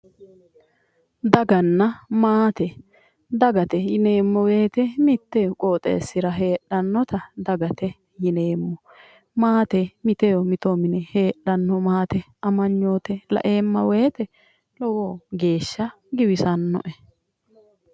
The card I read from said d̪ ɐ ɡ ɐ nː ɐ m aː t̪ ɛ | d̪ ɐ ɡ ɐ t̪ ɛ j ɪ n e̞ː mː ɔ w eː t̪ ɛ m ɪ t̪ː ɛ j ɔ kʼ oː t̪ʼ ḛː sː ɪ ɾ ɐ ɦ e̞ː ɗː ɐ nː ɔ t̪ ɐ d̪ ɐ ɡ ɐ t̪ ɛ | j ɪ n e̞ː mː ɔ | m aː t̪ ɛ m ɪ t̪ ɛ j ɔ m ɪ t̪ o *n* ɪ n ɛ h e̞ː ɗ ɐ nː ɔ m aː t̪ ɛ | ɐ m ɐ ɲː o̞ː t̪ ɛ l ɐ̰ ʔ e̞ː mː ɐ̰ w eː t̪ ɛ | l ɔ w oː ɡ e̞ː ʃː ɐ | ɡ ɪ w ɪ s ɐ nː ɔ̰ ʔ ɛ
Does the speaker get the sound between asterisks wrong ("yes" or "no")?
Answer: yes